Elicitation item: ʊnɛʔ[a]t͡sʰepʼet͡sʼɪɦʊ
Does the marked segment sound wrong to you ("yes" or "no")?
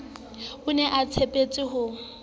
no